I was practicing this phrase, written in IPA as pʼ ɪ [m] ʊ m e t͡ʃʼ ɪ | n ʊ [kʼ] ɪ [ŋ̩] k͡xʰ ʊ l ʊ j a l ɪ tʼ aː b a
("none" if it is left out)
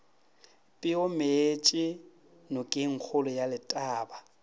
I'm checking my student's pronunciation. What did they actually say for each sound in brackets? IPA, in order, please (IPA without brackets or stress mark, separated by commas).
none, kʼ, ŋ̩